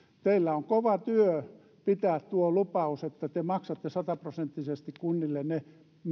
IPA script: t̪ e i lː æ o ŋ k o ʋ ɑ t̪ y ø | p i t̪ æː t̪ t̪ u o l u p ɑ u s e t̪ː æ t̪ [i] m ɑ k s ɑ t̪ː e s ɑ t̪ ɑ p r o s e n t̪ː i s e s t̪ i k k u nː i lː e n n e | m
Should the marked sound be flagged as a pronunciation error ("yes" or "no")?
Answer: yes